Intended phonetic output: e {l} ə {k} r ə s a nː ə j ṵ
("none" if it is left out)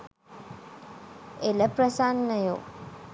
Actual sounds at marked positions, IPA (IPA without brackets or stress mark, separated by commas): l, p